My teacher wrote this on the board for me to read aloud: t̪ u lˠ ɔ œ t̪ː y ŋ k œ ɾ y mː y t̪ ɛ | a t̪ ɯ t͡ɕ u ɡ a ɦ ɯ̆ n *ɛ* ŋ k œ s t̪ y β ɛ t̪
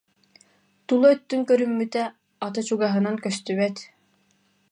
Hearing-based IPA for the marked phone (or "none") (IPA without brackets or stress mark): a